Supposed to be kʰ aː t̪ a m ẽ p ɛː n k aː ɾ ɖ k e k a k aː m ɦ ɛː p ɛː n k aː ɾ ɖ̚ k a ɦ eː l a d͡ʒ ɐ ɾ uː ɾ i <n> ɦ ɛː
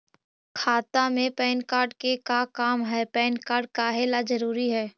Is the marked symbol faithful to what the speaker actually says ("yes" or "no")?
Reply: no